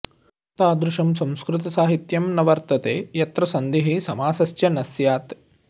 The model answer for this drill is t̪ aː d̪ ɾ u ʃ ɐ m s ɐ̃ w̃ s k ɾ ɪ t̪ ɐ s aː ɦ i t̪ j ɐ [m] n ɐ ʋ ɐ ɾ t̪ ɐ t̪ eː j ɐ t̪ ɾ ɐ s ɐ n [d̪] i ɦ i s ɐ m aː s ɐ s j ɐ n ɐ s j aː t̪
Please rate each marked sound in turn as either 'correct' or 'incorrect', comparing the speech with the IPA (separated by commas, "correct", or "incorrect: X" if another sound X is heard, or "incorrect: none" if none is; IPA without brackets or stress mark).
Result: correct, correct